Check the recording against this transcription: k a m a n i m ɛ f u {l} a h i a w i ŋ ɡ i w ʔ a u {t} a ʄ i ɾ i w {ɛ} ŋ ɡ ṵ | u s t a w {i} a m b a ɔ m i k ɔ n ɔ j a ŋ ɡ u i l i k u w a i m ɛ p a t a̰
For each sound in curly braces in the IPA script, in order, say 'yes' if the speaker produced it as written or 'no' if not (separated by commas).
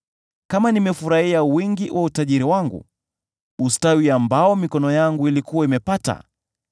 no, yes, no, yes